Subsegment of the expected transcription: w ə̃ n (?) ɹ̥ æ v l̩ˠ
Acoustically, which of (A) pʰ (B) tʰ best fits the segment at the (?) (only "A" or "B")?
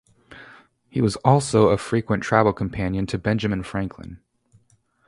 B